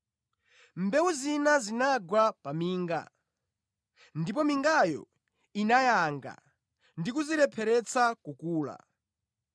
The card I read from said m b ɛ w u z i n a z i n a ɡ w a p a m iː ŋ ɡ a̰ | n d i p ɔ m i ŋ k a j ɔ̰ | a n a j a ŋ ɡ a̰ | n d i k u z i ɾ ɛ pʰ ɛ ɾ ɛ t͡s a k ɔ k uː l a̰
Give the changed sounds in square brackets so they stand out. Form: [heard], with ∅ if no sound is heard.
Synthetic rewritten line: m b ɛ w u z i n a z i n a ɡ w a p a m iː ŋ ɡ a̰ | n d i p ɔ m i ŋ [ɡ] a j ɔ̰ | [i] n a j a ŋ ɡ a̰ | n d i k u z i ɾ ɛ pʰ ɛ ɾ ɛ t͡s a k [u] k uː l a̰